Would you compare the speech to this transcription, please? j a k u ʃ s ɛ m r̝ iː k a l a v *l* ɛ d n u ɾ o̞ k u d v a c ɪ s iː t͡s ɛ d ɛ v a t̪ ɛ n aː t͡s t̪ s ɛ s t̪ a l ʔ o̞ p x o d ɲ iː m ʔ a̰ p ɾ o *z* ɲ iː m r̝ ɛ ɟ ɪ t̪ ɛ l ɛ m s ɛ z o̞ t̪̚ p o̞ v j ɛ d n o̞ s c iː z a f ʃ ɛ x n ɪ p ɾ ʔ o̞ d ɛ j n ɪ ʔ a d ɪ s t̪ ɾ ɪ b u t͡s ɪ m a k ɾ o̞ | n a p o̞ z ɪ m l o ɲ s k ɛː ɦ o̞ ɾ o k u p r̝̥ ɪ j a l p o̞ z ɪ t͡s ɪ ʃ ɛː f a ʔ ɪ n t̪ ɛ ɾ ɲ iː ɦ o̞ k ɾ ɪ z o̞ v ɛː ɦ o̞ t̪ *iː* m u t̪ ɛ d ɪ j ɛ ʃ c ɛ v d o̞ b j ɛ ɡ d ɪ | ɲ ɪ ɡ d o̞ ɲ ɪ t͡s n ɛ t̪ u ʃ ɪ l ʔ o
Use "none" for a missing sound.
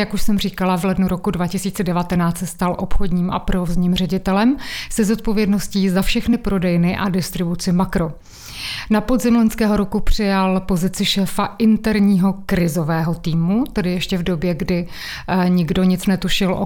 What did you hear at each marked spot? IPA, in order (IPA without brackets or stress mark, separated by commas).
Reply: l, z, iː